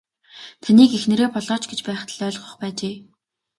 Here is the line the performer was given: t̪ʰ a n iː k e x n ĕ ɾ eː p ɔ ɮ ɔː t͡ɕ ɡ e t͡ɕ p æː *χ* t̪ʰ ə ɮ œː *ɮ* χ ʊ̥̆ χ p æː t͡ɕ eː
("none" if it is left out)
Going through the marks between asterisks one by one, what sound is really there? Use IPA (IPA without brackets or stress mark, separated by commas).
χ, ɮ